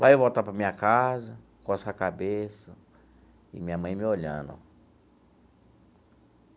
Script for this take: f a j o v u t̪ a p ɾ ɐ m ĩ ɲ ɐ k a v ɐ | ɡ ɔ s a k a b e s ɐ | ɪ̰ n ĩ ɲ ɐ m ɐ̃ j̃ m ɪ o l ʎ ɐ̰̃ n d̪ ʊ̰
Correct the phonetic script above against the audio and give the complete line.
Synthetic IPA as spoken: v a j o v o t̪ a p ɾ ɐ m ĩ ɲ ɐ k a z ɐ | k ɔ s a k a b e s ɐ | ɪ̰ m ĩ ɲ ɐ m ɐ̃ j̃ m ɪ o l ʎ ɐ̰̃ n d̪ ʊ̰